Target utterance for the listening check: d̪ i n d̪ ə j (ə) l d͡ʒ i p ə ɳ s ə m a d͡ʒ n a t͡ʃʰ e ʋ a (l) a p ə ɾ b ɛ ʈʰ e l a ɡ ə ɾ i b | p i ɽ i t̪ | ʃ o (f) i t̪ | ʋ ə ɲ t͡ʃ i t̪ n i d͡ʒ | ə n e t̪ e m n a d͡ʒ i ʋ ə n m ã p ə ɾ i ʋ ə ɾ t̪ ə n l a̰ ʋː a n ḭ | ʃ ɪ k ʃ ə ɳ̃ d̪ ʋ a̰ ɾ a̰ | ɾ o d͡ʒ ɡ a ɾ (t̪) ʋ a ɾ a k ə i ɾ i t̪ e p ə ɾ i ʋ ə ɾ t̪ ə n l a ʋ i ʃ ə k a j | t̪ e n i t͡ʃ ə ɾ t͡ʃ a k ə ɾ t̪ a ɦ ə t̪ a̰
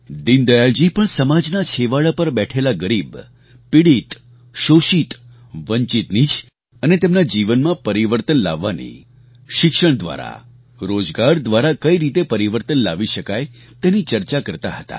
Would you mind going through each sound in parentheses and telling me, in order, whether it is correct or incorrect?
incorrect: a, incorrect: ɭ, incorrect: ʃ, incorrect: d̪

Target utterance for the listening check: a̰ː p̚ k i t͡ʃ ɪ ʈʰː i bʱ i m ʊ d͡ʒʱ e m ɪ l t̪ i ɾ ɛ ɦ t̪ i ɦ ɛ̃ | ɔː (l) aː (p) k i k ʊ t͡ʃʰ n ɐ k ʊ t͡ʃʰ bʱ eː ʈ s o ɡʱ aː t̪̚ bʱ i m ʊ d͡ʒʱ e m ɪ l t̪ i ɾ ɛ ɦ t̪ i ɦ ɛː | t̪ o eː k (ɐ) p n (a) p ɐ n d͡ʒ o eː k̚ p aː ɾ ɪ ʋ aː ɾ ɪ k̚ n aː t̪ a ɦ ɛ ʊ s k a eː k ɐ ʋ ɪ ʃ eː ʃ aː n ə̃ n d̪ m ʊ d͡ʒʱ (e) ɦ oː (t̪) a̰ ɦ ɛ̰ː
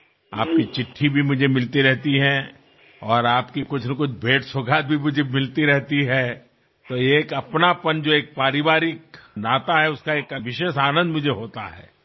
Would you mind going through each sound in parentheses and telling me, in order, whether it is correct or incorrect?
incorrect: ɾ, correct, correct, correct, correct, correct

